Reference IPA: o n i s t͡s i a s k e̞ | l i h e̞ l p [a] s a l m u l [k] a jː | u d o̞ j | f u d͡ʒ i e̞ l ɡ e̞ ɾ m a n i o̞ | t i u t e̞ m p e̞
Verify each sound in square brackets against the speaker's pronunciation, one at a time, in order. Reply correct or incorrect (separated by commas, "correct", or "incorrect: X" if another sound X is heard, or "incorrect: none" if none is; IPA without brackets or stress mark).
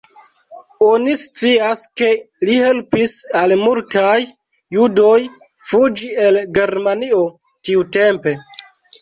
incorrect: i, incorrect: t